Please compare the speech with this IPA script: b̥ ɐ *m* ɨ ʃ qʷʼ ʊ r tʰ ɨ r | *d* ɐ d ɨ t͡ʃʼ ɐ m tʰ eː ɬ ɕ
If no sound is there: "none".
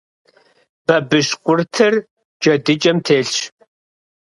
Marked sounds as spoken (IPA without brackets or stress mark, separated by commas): b, d͡ʒ